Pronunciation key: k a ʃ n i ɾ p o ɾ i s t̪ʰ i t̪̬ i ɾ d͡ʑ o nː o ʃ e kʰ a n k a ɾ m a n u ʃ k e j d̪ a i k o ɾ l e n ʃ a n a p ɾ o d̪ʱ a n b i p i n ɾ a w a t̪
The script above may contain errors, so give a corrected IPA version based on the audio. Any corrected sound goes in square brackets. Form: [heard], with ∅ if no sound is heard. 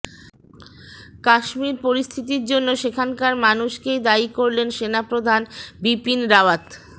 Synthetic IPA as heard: k a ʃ [m] i ɾ p o ɾ i s t̪ʰ i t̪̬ i ɾ d͡ʑ o nː o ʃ e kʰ a n k a ɾ m a n u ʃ k e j d̪ a i k o ɾ l e n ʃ [e] n a p ɾ o d̪ʱ a n b i p i n ɾ a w a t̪